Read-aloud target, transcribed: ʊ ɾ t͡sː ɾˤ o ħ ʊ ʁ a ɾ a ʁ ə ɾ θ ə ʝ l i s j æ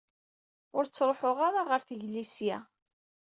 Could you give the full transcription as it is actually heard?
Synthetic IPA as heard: ʊ ɾ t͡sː ɾˤ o ħ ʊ ʁ a ɾ a ʁ ə ɾ θ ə ʝ l i s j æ